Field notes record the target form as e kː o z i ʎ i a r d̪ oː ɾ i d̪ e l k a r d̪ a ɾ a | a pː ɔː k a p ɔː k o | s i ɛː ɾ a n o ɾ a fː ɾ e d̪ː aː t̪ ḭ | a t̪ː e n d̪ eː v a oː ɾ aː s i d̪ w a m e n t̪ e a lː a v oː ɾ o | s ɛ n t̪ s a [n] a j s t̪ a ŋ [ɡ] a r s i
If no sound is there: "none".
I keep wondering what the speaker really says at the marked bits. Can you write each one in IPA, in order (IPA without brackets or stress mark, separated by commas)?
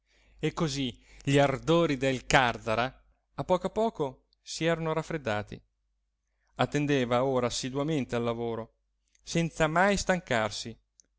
m, k